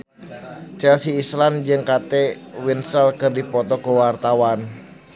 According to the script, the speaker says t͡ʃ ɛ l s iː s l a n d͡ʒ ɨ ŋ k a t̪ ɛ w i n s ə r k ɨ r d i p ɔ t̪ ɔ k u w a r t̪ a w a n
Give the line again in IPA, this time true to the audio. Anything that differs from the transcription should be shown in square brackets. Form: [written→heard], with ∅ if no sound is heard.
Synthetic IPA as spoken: t͡ʃ ɛ l s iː s l a n d͡ʒ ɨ ŋ k a t̪ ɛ w i n s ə [r→l] k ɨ r d i p ɔ t̪ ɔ k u w a r t̪ a w a n